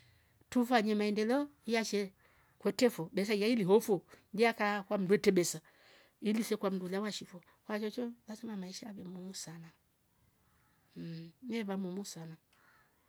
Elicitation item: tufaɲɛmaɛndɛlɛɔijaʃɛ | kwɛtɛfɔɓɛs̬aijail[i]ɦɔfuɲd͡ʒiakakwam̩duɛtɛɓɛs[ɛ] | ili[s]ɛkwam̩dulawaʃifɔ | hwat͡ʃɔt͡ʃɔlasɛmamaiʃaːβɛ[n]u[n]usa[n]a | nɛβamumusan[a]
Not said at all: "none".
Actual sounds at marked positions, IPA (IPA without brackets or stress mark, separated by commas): i, a, s, m, m, n, a